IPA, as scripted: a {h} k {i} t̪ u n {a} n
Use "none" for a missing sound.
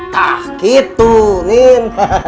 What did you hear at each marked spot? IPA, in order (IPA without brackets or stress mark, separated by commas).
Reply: h, i, i